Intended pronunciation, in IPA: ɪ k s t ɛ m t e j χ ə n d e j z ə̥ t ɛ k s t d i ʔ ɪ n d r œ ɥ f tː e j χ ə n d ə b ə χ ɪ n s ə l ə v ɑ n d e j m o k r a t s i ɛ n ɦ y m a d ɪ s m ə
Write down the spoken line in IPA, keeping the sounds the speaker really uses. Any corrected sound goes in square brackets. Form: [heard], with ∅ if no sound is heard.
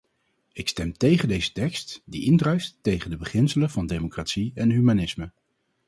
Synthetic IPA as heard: ɪ k s t ɛ m t e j χ ə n d e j z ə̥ t ɛ k s t d i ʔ ɪ n d r œ ɥ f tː e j χ ə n d ə b ə χ ɪ n s ə l ə v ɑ n d e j m o k r a t s i ɛ n ɦ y m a [n] ɪ s m ə